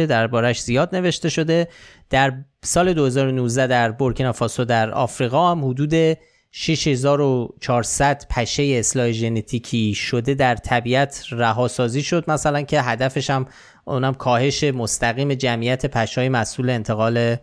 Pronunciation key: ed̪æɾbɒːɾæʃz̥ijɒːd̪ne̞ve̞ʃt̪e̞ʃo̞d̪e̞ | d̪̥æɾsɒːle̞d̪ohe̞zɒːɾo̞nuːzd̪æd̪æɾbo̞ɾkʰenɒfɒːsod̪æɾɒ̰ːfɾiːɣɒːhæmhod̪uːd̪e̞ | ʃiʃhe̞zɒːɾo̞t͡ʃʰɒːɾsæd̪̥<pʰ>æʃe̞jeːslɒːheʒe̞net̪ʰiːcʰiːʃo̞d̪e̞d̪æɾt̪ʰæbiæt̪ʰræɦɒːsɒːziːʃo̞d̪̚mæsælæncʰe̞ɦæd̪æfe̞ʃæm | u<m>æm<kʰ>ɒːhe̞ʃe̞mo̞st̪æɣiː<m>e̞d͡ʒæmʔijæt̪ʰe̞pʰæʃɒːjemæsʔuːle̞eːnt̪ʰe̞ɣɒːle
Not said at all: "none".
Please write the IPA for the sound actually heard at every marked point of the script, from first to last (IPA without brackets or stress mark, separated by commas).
pʰ, n, kʰ, m